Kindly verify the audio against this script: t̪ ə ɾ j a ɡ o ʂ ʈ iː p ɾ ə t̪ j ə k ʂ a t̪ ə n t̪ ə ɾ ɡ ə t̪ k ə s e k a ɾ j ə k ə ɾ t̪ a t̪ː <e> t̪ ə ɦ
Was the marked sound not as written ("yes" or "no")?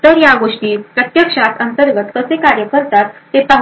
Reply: no